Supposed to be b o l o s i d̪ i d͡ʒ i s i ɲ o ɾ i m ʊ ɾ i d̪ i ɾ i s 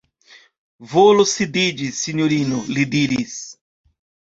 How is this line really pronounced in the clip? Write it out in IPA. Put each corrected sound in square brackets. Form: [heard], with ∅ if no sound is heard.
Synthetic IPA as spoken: [v] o l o s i d̪ i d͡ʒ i s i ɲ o ɾ i [n] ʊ [l] i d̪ i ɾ i s

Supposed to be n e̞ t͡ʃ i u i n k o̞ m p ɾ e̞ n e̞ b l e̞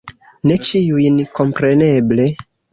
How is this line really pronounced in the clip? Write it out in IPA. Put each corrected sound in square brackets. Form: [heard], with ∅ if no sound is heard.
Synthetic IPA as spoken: n e̞ t͡ʃ i u [j] n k o̞ m p ɾ e̞ n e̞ b l e̞

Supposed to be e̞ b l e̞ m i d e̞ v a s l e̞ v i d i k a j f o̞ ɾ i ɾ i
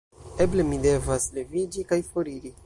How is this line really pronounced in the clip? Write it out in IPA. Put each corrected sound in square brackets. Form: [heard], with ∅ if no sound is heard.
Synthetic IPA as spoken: e̞ b l e̞ m i d e̞ v a s l e̞ v i [d͡ʒ] i k a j f o̞ ɾ i ɾ i

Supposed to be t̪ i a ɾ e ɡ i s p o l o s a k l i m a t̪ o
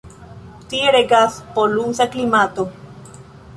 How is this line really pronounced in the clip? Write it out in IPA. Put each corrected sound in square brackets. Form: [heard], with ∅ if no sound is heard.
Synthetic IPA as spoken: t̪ i [e] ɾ e ɡ [a] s p o l [u] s a k l i m a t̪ o

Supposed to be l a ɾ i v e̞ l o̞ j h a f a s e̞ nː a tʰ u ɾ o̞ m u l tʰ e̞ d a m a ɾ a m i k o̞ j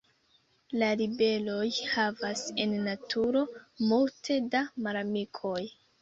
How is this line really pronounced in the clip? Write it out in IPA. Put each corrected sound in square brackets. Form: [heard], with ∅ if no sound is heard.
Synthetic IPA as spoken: l a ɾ i [b] e̞ l o̞ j h a [v] a s e̞ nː a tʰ u ɾ o̞ m u l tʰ e̞ d a m a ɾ a m i [kʰ] o̞ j

